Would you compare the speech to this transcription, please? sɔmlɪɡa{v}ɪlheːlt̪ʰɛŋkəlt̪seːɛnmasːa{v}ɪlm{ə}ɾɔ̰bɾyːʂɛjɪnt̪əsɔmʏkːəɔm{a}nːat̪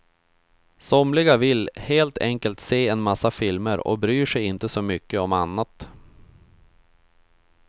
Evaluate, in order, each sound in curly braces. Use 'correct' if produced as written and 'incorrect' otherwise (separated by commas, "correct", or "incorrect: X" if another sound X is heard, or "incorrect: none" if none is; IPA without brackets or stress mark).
correct, incorrect: f, correct, correct